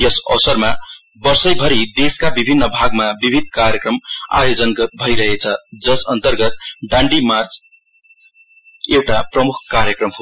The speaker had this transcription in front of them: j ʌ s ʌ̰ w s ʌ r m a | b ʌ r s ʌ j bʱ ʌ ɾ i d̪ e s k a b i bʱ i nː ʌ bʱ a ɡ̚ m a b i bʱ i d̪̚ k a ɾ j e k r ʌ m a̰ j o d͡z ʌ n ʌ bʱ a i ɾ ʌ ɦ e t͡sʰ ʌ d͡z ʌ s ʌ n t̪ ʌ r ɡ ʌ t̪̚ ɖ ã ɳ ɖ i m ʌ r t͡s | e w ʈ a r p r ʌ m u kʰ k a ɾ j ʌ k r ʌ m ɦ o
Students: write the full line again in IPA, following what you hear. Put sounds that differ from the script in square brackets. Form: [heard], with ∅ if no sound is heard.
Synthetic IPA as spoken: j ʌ s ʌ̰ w s ʌ r m a | b ʌ r s ʌ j bʱ ʌ ɾ i d̪ e s k a b i bʱ i nː ʌ bʱ a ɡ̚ m a b i bʱ i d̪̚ k a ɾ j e k r ʌ m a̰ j o d͡z ʌ n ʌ bʱ [ʌ] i ɾ ʌ ɦ e t͡sʰ ʌ d͡z ʌ s ʌ n t̪ ʌ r ɡ ʌ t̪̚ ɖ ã ɳ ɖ i m [a] r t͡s | e w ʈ a [∅] p r ʌ m u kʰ k a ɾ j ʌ k r ʌ m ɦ o